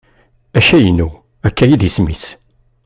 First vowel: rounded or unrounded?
unrounded